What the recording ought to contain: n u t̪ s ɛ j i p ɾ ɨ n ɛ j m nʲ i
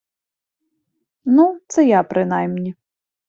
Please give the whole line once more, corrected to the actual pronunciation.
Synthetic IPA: n u t̪ s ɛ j a p ɾ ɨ n a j m nʲ i